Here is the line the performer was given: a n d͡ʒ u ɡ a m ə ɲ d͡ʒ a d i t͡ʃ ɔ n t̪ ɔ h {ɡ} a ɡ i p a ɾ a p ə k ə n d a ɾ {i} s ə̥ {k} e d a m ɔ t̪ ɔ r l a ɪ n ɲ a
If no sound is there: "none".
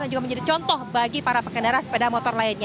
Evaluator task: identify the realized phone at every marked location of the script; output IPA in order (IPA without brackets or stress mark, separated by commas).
b, a, p